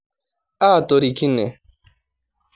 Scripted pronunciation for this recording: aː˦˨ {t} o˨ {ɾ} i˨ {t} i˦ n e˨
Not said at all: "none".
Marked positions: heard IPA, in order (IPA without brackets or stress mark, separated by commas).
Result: t, ɾ, k